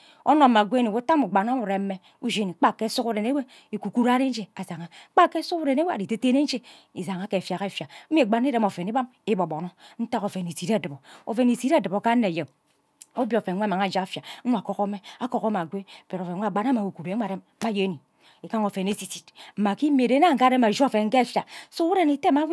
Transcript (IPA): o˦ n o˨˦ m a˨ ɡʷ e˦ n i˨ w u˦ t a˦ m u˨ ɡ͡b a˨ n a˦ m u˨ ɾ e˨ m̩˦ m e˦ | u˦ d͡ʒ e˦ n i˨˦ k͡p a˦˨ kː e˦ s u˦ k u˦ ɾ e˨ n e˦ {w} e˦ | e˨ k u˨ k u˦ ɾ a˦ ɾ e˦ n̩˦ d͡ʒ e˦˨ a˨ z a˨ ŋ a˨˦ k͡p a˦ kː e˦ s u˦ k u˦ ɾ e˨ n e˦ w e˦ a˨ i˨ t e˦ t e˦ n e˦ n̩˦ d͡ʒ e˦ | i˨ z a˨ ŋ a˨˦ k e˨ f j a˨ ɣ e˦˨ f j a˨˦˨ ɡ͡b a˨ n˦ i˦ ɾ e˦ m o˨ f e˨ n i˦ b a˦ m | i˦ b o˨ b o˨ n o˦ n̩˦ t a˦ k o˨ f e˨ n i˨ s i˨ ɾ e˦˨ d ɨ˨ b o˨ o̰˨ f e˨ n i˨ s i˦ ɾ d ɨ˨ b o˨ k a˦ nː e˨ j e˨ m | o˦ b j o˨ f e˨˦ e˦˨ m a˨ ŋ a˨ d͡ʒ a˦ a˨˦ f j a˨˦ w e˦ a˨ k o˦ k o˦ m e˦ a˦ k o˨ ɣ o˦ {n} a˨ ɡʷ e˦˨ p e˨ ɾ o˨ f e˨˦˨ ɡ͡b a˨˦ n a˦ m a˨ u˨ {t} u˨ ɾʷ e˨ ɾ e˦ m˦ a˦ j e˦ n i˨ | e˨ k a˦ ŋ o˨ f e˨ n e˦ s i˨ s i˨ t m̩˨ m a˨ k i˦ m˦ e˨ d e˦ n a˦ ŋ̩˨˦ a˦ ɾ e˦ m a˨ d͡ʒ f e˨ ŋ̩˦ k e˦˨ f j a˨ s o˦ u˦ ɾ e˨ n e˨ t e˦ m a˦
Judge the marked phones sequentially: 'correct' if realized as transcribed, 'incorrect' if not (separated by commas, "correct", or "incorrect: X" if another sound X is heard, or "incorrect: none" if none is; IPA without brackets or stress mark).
correct, incorrect: m, incorrect: k